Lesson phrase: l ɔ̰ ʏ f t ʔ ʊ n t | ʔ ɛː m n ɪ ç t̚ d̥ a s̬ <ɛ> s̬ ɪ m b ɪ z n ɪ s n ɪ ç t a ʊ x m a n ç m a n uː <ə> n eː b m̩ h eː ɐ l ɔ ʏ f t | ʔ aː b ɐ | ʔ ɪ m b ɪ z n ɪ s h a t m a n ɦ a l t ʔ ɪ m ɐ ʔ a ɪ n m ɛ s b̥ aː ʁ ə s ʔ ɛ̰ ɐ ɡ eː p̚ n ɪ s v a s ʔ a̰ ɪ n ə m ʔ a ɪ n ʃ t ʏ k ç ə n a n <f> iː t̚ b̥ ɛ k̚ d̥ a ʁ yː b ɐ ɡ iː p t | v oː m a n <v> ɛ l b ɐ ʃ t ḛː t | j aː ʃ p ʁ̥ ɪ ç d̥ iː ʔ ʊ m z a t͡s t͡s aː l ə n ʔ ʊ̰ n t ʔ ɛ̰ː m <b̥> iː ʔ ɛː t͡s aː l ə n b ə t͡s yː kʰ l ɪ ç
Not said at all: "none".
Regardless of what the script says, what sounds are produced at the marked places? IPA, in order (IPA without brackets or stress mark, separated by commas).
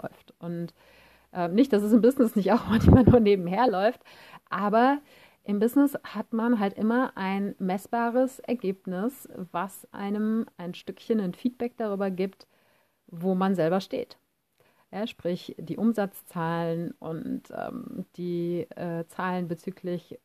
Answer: ɛ, ɐ, f, z, d̥